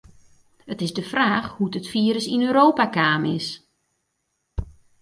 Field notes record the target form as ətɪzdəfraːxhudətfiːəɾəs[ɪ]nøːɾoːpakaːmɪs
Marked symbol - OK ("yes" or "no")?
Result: no